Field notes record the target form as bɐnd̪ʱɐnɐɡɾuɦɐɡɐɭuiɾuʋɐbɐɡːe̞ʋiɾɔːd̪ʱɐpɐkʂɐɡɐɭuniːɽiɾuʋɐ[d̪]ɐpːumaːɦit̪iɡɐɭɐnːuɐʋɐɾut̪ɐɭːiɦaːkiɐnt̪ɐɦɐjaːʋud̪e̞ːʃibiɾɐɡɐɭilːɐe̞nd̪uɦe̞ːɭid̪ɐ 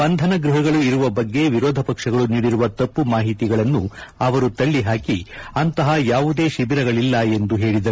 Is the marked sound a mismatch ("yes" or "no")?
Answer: yes